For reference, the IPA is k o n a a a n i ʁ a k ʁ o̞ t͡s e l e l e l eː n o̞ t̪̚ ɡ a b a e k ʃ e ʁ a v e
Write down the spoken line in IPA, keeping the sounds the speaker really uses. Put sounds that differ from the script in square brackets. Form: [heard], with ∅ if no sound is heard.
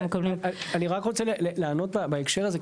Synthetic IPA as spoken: k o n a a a n i ʁ a k ʁ o̞ t͡s e l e l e l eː n o̞ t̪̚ [b] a b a e k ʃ e ʁ a [z] e